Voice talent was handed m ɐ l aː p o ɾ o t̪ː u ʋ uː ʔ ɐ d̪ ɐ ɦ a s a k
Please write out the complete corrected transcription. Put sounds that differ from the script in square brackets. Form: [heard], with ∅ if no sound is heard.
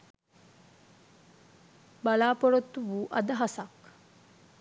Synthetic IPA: [b] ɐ l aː p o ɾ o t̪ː u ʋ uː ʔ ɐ d̪ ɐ ɦ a s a k

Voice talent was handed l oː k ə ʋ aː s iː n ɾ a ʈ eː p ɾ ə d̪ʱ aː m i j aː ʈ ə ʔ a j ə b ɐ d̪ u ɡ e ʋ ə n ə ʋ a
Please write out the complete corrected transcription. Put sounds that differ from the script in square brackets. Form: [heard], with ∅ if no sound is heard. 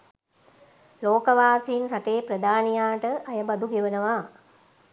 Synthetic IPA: l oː k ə ʋ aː s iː n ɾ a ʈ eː p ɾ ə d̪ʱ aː [n] i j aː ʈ ə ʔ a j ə b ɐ d̪ u ɡ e ʋ ə n ə ʋ a

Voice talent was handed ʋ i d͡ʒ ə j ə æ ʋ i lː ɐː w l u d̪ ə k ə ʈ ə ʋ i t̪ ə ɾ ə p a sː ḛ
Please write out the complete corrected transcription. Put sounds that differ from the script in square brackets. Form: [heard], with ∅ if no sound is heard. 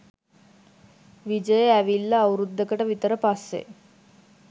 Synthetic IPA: ʋ i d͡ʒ ə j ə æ ʋ i lː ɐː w [ɾ] u [d̪ː] ə k ə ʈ ə ʋ i t̪ ə ɾ ə p a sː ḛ

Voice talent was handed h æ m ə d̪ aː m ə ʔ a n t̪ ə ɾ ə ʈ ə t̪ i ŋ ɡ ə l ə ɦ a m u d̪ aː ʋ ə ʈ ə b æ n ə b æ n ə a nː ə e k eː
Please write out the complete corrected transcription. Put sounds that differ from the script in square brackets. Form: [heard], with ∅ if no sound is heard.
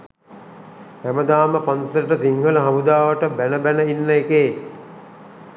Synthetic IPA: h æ m ə d̪ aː m ə [p] a n t̪ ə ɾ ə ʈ ə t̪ i ŋ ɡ ə l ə ɦ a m u d̪ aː ʋ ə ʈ ə b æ n ə b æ n ə [i] nː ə e k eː

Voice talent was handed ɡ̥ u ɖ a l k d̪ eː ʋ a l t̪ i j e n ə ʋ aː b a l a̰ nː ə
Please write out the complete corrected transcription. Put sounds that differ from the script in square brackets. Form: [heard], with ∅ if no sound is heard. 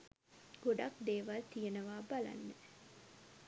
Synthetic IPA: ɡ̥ [o] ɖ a [∅] k d̪ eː ʋ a l t̪ i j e n ə ʋ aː b a l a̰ nː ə

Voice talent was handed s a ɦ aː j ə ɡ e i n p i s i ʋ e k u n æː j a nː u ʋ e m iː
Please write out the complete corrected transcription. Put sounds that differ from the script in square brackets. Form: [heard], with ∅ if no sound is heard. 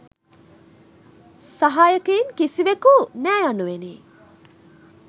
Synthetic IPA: s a ɦ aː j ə [k] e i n [k] i s i ʋ e k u n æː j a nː u ʋ e [n] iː

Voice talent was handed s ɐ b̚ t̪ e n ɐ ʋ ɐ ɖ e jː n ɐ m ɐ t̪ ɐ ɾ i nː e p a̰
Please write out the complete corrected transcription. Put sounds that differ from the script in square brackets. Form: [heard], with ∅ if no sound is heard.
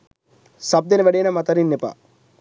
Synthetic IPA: s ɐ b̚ [d̪] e n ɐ ʋ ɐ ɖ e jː n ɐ m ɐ t̪ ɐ ɾ i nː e p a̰

